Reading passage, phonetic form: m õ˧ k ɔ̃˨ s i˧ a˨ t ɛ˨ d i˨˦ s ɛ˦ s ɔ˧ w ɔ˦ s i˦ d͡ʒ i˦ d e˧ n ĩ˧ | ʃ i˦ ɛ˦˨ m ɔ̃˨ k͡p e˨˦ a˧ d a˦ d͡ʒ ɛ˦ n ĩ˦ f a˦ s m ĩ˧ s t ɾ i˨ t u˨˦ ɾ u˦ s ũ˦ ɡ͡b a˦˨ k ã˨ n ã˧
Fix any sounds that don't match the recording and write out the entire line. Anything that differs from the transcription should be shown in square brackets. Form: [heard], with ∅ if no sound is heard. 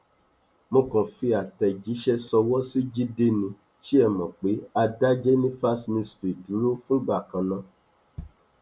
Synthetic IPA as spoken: m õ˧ k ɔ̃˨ [f] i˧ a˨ t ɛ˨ [d͡ʒ] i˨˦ [ʃ] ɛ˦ s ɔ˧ w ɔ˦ s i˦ d͡ʒ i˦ d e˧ n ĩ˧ | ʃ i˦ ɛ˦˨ m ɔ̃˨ k͡p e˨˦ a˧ d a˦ d͡ʒ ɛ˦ n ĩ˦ f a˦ s m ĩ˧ s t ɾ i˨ [d] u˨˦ ɾ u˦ [f] ũ˦ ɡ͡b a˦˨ k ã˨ n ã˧